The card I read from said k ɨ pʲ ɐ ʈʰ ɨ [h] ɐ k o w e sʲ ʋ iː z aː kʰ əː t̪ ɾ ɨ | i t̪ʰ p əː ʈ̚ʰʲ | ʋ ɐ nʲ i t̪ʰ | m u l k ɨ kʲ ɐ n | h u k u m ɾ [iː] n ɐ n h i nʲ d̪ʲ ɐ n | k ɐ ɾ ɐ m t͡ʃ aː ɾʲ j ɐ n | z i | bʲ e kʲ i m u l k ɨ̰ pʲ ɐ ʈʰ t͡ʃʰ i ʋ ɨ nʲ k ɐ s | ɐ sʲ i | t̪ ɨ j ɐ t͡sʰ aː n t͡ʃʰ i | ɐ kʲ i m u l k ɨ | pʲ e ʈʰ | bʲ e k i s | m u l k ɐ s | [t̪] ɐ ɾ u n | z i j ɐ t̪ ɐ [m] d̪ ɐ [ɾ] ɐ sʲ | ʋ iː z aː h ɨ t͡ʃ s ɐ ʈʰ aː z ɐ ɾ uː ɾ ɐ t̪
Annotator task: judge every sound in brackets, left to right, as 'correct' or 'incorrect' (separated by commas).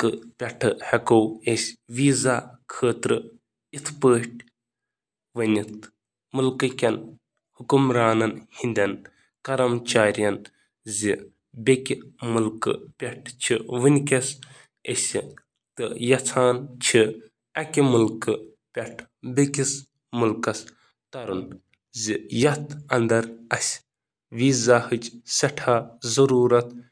correct, incorrect, correct, incorrect, correct